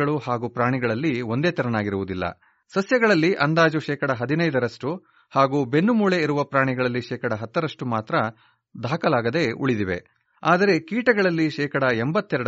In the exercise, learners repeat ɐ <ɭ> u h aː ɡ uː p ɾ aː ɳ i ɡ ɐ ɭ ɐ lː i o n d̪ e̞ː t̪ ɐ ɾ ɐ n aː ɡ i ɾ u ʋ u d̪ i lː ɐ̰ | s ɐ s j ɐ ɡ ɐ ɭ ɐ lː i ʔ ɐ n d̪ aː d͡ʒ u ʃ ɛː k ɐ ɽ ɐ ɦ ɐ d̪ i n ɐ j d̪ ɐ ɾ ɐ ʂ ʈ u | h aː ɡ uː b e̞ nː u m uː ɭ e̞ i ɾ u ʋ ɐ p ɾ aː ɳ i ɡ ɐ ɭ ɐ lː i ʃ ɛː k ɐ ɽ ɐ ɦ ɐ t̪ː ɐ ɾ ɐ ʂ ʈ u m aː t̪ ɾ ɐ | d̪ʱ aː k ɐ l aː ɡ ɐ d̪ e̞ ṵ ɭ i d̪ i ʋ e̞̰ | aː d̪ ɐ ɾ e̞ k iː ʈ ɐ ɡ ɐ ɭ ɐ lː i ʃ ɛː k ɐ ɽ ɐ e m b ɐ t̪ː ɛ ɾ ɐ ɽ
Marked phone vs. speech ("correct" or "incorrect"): correct